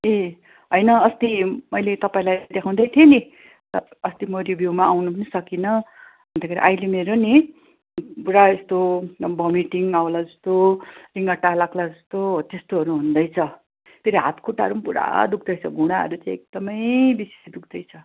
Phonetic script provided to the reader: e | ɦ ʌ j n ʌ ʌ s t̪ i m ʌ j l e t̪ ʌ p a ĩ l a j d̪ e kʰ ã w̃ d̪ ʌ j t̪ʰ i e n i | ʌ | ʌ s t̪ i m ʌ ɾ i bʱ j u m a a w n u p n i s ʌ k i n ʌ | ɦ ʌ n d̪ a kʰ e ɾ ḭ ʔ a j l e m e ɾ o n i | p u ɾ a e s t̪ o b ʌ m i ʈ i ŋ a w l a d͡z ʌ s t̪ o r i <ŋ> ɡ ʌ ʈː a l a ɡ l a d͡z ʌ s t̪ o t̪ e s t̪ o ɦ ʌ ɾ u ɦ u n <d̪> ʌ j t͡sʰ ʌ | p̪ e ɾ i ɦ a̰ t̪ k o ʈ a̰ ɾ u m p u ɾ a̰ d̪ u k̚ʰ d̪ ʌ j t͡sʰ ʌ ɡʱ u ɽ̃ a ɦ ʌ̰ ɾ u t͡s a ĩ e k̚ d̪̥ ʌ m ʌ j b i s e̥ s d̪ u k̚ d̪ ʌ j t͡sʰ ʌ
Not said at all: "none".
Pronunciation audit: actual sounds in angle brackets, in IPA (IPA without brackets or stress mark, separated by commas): ŋ, d̪